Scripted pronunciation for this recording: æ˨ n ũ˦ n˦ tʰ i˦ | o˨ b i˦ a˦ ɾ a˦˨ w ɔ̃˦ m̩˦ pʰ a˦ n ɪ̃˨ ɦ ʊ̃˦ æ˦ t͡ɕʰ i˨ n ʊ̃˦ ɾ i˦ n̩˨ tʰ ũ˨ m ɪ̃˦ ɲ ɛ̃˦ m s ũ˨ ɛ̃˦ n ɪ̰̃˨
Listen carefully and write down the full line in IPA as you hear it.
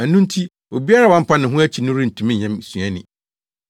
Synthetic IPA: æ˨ n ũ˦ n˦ tʰ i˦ | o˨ b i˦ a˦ ɾ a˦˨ w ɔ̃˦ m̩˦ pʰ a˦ n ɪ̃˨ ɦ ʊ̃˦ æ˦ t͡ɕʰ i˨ n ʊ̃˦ ɾ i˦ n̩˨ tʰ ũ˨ m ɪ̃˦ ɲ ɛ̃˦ m s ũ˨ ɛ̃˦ n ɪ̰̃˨